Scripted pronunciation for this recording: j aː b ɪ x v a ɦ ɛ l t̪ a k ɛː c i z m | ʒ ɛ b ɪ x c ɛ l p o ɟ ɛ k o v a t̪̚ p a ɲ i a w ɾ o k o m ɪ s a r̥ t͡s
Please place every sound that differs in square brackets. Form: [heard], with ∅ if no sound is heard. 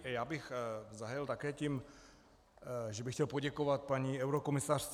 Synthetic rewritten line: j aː b ɪ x [z] a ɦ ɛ l t̪ a k ɛː c i [∅] m | ʒ ɛ b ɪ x c ɛ l p o ɟ ɛ k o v a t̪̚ p a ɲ i [ɛ] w ɾ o k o m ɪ s a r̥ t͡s